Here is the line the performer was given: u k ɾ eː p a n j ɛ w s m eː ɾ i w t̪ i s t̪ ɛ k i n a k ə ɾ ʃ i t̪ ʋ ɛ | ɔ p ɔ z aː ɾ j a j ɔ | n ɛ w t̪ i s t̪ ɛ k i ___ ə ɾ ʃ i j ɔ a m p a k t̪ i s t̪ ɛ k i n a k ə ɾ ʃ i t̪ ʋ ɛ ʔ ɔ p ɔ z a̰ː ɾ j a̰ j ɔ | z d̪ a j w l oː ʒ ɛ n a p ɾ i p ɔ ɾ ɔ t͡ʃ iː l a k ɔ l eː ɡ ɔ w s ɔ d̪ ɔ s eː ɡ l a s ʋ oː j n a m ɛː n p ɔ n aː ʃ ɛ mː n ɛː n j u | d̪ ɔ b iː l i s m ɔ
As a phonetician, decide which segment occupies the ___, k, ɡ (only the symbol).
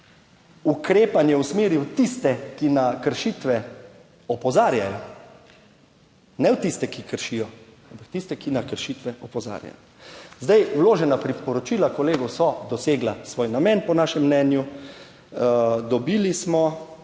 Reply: k